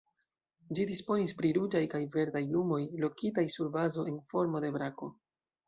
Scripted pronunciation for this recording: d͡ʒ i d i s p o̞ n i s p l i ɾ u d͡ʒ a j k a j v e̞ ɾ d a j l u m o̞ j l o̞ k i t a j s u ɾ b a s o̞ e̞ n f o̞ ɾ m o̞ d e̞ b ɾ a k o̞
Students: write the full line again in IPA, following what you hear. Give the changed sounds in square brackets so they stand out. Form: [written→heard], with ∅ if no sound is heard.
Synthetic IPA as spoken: d͡ʒ i d i s p o̞ n i s p [l→ɾ] i ɾ u d͡ʒ a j k a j v e̞ ɾ d a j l u m o̞ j l o̞ k i t a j s u ɾ b a [s→z] o̞ e̞ n f o̞ ɾ m o̞ d e̞ b ɾ a k o̞